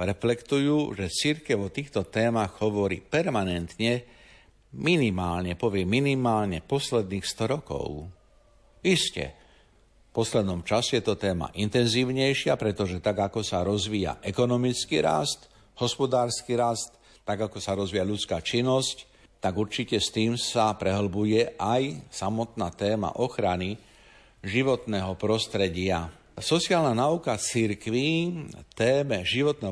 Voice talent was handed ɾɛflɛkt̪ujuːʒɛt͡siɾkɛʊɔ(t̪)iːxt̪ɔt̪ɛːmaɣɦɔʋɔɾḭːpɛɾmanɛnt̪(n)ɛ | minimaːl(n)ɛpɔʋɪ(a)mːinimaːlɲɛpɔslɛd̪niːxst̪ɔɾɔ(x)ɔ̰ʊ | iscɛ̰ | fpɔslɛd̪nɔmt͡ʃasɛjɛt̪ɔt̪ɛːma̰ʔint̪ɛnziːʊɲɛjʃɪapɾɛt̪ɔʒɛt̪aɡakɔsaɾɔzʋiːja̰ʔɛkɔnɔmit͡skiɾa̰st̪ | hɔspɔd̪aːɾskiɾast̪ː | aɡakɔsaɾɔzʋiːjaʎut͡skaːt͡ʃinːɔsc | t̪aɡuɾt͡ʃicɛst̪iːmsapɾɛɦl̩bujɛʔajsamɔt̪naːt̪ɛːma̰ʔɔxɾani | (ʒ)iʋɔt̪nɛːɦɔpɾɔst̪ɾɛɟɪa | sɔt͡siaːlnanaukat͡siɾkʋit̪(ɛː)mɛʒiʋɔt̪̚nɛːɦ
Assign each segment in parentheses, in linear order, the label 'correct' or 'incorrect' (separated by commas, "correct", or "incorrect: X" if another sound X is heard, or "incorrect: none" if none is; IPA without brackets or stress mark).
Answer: correct, incorrect: ɲ, incorrect: ɲ, incorrect: ɛ, incorrect: k, correct, correct